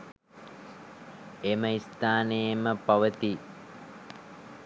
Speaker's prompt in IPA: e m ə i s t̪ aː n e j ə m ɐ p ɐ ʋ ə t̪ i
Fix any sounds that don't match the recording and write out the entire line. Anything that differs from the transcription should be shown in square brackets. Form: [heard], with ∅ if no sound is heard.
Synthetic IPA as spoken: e m ə i s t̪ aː n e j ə m [ə] p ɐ ʋ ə t̪ i